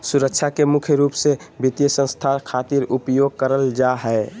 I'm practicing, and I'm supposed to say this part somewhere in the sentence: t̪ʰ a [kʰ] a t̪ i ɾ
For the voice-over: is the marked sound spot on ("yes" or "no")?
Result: yes